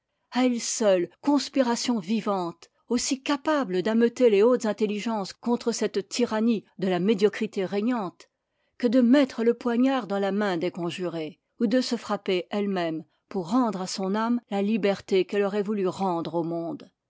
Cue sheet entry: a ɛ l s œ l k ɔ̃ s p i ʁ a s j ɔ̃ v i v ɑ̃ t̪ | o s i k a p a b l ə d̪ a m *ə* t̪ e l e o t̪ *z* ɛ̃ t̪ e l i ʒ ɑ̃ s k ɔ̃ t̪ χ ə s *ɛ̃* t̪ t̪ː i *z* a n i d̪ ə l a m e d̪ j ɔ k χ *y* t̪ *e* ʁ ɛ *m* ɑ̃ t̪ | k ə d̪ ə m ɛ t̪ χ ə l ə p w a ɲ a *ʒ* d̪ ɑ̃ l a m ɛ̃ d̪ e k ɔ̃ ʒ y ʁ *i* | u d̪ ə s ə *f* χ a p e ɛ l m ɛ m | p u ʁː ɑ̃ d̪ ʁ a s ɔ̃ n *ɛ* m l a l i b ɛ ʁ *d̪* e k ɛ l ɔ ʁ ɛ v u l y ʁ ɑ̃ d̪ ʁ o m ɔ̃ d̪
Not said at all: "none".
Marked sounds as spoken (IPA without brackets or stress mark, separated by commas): ə, z, ɛ, ʁ, i, e, ɲ, ʁ, e, f, a, t̪